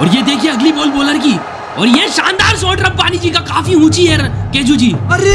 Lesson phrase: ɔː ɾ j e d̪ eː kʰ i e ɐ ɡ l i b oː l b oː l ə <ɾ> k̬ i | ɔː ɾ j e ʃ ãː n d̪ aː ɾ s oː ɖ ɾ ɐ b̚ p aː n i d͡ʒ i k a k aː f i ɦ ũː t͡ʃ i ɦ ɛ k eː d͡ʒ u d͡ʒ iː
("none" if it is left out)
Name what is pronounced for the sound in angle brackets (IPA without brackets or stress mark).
ɾ